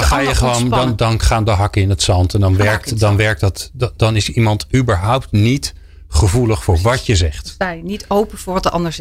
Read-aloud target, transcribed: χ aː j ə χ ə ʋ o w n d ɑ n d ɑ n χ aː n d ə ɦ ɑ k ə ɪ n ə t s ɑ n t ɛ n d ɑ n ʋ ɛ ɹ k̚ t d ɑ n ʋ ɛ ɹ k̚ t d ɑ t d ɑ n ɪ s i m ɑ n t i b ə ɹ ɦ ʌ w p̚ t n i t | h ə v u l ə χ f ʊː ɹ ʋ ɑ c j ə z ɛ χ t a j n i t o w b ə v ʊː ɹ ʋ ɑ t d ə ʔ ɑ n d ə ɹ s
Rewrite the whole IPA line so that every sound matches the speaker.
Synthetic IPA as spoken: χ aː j ə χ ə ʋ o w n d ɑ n d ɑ n χ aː n d ə ɦ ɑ k ə ɪ n ə t s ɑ n t ɛ n d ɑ n ʋ ɛ ɹ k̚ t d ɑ n ʋ ɛ ɹ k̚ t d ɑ t d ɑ n ɪ s i m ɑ n t y b ə ɹ ɦ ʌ w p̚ t n i t | χ ə v u l ə χ f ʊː ɹ ʋ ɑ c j ə z ɛ χ t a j n i t o w p ə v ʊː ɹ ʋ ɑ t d ə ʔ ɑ n d ə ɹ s